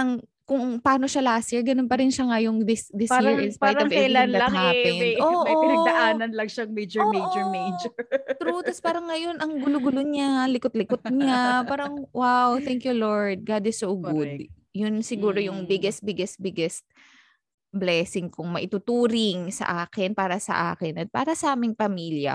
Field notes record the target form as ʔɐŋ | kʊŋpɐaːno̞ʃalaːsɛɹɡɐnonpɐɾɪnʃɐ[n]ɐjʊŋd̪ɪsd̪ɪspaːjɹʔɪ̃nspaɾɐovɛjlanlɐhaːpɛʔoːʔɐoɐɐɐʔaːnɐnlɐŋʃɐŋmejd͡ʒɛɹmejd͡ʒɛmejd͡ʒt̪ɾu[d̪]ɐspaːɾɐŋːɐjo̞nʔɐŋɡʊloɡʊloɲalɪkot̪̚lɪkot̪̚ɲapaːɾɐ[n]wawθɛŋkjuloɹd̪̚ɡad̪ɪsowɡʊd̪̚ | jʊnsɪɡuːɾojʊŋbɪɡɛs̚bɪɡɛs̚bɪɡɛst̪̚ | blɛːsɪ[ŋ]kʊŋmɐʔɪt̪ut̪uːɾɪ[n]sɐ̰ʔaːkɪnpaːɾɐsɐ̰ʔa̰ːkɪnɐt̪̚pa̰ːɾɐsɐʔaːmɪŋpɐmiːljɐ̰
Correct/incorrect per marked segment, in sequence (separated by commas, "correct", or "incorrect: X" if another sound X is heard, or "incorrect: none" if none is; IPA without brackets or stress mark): incorrect: ŋ, incorrect: t̪, incorrect: ŋ, correct, incorrect: ŋ